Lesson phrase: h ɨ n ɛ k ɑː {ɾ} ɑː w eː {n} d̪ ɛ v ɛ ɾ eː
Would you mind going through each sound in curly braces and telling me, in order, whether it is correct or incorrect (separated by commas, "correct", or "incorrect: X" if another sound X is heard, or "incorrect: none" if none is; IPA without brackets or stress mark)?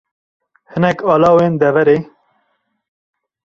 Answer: incorrect: l, correct